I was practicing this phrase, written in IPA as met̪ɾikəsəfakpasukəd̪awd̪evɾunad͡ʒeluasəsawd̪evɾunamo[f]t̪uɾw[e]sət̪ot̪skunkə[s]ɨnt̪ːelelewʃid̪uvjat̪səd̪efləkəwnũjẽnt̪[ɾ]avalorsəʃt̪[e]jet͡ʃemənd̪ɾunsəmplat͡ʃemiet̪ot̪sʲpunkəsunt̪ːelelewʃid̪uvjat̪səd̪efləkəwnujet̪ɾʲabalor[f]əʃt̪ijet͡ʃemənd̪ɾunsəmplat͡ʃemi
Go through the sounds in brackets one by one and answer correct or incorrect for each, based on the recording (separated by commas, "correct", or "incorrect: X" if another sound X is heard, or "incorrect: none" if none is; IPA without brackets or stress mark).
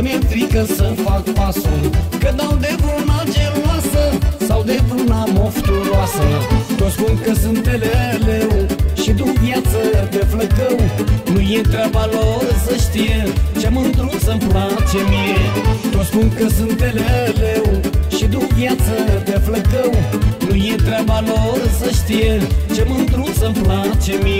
correct, incorrect: a, correct, correct, incorrect: i, incorrect: s